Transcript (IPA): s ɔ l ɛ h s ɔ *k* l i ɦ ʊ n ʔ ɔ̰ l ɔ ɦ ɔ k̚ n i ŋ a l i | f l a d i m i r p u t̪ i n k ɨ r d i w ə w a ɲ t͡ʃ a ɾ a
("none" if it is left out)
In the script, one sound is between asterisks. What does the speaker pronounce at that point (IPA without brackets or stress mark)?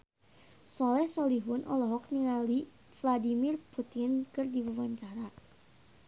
none